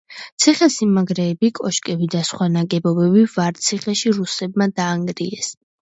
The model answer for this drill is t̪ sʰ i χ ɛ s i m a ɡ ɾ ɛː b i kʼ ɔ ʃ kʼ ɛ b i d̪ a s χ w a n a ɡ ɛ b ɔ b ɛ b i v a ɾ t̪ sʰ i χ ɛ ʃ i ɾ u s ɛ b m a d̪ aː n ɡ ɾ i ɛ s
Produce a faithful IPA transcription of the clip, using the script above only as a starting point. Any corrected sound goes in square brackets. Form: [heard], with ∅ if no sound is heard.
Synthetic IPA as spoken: t̪ sʰ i χ ɛ s i m a ɡ ɾ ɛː b i kʼ ɔ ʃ kʼ ɛ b i d̪ a s χ w a n a ɡ ɛ b ɔ b ɛ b i v a ɾ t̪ sʰ i χ ɛ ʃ i ɾ u s ɛ b m a d̪ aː [ŋ] ɡ ɾ i ɛ s